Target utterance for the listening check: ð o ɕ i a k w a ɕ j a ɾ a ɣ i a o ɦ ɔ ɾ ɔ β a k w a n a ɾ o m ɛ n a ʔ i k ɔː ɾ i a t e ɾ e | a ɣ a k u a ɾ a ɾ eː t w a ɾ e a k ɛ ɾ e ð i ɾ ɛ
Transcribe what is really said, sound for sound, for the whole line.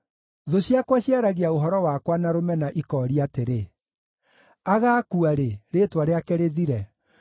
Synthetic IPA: ð o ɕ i a k w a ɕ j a ɾ a ɣ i a o ɦ ɔ ɾ ɔ w a k w a n a ɾ o m ɛ n a ʔ i k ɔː ɾ i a t e ɾ e | a ɣ a k u a ɾ e ɾ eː t w a ɾ e a k ɛ ɾ e ð i ɾ ɛ